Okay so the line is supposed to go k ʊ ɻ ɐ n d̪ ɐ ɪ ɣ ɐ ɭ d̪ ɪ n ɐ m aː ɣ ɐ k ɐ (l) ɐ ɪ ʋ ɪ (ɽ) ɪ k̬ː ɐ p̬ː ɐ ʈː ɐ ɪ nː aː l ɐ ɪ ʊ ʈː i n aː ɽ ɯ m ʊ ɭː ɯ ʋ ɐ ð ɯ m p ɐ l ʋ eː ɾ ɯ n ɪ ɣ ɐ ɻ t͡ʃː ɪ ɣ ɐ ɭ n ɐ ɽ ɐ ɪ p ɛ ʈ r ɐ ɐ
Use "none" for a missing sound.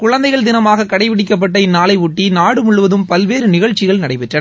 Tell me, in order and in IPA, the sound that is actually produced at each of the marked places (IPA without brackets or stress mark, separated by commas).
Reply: ɽ, ɽ